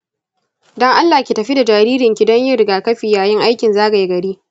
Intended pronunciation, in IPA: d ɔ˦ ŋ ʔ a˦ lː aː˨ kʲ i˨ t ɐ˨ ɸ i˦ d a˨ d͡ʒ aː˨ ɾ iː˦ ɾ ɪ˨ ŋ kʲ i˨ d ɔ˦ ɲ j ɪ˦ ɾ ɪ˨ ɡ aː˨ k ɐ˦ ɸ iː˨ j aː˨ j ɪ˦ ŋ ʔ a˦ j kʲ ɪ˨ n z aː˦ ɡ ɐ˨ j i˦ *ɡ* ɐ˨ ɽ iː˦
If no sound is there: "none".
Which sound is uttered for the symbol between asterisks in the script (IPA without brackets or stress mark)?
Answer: ɡ